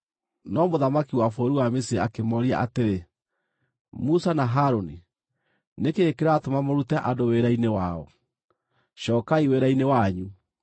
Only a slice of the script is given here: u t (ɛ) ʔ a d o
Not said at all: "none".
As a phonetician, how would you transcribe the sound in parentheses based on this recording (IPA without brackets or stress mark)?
ɛ